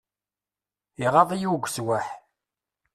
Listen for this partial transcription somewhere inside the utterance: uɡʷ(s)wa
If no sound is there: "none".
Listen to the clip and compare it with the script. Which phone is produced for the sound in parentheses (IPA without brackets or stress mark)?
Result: s